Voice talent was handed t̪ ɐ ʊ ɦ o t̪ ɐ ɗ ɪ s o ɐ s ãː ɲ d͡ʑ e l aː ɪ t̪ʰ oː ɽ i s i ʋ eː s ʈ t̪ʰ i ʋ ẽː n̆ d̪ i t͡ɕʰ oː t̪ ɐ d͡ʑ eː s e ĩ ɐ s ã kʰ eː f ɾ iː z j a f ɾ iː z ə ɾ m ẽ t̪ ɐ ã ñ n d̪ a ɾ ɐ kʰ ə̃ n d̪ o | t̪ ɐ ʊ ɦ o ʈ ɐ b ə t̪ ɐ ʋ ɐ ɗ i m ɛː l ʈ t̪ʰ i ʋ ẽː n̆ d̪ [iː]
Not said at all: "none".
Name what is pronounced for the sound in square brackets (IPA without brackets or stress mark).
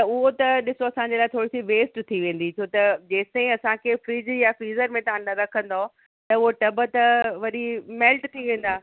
aː